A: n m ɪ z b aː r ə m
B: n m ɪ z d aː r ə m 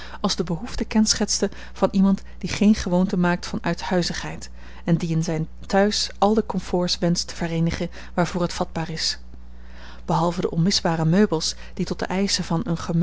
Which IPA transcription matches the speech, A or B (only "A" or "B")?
A